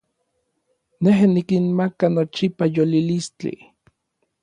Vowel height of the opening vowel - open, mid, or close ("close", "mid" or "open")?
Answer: mid